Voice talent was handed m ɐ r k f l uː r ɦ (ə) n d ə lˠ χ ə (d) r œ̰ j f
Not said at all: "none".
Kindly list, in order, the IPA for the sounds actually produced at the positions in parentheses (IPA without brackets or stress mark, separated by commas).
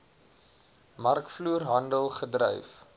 ɐ, d